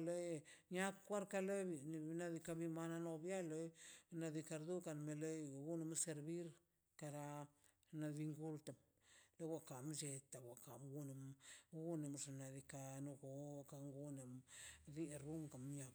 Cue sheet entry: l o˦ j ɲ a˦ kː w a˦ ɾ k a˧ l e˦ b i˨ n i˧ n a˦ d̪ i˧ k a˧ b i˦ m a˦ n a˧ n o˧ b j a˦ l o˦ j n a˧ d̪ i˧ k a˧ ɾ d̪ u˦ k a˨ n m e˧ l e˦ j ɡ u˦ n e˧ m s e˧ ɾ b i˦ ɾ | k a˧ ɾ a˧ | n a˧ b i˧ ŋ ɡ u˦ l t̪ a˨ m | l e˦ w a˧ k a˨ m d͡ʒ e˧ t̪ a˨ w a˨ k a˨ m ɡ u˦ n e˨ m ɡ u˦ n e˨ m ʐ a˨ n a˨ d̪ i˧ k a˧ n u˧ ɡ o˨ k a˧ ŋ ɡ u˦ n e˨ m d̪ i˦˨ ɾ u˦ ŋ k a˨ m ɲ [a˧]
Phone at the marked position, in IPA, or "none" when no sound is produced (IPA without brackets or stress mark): a˧